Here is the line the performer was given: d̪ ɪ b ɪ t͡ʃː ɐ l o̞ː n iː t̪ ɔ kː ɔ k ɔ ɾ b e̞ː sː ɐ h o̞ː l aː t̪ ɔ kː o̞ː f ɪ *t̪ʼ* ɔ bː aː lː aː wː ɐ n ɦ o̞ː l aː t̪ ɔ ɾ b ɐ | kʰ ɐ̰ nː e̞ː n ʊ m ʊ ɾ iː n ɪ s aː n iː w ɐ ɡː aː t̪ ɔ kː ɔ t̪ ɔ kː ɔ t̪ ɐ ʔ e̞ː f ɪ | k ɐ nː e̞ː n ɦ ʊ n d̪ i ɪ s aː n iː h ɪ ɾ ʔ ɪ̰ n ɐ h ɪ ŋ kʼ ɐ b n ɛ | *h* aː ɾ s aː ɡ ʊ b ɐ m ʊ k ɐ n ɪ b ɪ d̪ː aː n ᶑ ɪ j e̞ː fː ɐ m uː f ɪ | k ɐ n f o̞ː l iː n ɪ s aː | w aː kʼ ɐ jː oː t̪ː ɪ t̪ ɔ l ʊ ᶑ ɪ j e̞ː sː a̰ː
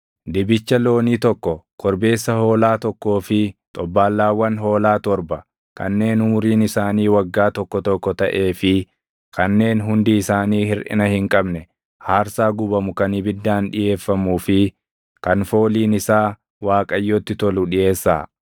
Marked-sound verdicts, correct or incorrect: correct, correct

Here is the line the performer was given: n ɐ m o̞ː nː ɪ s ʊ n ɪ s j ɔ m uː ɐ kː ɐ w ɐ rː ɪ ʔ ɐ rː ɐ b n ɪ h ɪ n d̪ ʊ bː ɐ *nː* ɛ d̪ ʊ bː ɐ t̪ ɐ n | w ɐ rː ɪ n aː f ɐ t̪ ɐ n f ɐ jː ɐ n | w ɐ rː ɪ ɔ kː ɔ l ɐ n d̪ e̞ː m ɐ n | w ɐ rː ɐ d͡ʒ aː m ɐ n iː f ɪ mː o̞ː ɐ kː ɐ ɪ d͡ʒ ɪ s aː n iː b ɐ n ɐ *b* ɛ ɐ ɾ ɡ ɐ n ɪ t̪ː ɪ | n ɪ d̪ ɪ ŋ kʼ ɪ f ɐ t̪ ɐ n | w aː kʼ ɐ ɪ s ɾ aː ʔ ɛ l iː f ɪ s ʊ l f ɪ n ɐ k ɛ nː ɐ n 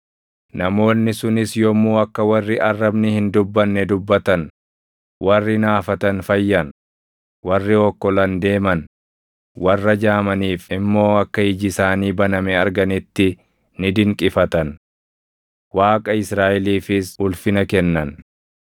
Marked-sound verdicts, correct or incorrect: correct, incorrect: m

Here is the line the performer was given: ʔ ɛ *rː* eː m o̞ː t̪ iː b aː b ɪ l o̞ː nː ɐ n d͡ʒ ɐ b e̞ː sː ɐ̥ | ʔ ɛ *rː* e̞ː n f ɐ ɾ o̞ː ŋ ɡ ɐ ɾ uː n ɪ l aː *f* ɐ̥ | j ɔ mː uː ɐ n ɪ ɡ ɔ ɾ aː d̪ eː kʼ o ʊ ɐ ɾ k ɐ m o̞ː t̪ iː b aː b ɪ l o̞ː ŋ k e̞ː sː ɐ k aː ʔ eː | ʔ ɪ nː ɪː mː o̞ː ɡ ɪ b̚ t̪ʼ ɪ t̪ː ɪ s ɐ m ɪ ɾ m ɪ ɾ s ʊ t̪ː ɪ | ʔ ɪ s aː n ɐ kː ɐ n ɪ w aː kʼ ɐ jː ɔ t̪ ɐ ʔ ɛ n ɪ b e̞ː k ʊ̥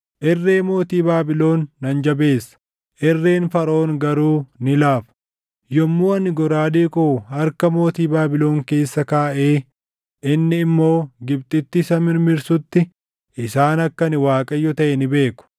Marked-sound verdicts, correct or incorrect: correct, correct, correct

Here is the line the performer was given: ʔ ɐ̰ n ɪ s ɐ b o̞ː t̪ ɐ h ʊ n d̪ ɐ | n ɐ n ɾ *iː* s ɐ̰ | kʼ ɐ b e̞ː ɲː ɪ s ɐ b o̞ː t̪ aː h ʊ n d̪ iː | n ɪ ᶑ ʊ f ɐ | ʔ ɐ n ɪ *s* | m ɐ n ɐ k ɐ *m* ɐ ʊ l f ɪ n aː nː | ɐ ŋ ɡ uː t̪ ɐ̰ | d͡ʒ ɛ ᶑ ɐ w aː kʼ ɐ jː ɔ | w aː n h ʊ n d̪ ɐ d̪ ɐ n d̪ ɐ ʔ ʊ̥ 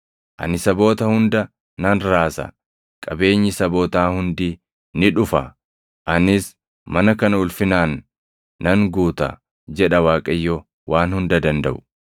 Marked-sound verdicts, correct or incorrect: incorrect: aː, correct, incorrect: n

